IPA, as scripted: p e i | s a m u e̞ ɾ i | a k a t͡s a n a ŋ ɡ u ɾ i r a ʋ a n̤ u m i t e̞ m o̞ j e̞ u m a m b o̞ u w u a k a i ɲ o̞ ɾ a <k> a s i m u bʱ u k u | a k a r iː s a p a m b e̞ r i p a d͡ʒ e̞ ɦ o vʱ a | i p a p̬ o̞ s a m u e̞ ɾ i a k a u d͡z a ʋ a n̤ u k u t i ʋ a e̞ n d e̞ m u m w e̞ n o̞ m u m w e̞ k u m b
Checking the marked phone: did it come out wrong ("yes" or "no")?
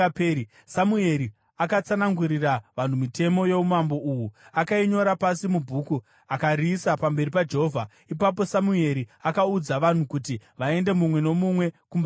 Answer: yes